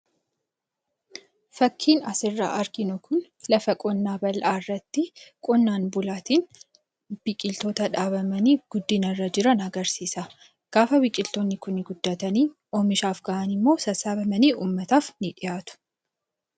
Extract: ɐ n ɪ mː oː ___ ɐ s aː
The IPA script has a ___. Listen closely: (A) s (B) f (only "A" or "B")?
A